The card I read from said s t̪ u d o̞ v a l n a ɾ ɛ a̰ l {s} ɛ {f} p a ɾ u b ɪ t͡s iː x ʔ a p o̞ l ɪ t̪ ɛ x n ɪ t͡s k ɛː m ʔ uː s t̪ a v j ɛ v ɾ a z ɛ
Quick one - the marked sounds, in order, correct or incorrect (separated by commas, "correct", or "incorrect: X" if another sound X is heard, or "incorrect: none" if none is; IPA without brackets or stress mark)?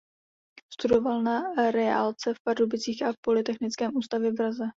incorrect: t͡s, correct